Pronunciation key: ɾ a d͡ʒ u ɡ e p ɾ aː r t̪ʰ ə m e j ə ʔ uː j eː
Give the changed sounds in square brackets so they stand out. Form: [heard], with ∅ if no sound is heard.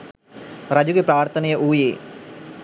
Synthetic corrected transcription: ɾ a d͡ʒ u ɡ e p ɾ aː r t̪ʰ ə [n] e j ə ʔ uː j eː